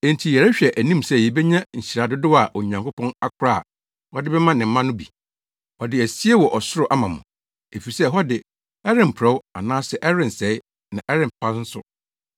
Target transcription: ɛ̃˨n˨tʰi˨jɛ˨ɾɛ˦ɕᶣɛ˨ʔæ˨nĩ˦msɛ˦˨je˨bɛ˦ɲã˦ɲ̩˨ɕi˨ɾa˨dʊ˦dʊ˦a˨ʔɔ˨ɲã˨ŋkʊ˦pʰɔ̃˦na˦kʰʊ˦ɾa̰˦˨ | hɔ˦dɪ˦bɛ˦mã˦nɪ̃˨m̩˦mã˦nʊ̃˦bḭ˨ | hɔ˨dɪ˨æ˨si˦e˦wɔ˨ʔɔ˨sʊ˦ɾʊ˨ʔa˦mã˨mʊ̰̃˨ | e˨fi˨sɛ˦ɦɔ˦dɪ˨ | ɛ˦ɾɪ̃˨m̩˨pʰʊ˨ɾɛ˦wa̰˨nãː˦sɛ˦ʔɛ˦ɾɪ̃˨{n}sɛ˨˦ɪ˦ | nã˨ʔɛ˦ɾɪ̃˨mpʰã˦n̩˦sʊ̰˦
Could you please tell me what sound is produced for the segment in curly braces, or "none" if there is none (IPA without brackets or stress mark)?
n